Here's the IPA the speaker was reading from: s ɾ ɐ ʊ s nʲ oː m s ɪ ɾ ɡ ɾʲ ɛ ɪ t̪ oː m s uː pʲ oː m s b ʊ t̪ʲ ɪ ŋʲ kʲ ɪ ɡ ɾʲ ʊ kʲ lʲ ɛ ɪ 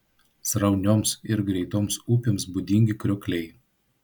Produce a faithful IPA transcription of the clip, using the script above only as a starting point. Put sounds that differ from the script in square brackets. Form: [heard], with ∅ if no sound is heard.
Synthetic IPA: s ɾ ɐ ʊ [∅] nʲ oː m s ɪ ɾ ɡ ɾʲ ɛ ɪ t̪ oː m s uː pʲ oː m s b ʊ [d̪ʲ] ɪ ŋʲ [ɡʲ] ɪ [k] ɾʲ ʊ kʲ lʲ ɛ ɪ